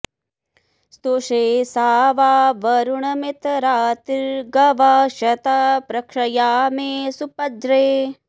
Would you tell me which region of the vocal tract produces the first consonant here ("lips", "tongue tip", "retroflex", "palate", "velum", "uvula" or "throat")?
tongue tip